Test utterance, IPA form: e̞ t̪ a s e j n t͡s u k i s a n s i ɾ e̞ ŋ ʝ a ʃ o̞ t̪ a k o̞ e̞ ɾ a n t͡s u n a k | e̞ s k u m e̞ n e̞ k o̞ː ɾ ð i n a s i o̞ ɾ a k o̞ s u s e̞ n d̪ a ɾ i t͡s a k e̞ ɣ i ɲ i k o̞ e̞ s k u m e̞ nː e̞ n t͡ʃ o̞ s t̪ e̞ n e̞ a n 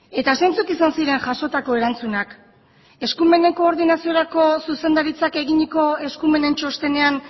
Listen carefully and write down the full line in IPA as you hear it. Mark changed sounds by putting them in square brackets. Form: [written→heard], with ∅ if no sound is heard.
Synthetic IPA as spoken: e̞ t̪ a s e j n t͡s u k i s a n s i ɾ e̞ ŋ ʝ a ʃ o̞ t̪ a k o̞ e̞ ɾ a n t͡s u n a k | e̞ s k u m e̞ n e̞ k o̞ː ɾ ð i n a s i o̞ ɾ a k o̞ s u s e̞ n d̪ a ɾ i t͡s a k e̞ ɣ i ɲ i k o̞ e̞ s k u m e̞ [nː→n] e̞ n t͡ʃ o̞ s t̪ e̞ n e̞ a n